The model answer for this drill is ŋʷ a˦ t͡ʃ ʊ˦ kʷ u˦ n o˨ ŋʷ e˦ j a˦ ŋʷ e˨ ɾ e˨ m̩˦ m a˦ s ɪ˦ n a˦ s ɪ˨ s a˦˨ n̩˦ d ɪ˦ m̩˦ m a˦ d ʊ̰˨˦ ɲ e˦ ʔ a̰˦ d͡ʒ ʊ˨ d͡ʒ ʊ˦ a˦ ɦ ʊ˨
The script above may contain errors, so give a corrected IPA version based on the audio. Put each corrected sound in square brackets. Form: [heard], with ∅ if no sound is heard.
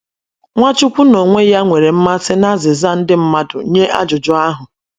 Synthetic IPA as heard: ŋʷ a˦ t͡ʃ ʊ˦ kʷ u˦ n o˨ ŋʷ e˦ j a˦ ŋʷ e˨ ɾ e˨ m̩˦ m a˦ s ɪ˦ n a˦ [z] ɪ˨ [z] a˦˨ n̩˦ d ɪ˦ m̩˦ m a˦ d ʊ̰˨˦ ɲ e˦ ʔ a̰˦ d͡ʒ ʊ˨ d͡ʒ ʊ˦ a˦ ɦ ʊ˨